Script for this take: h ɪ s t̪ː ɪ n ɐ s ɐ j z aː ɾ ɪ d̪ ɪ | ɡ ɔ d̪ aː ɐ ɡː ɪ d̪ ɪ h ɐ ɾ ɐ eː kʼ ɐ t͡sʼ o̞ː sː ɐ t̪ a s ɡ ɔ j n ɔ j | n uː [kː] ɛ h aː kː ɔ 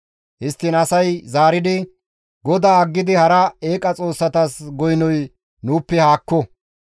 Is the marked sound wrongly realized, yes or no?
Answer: yes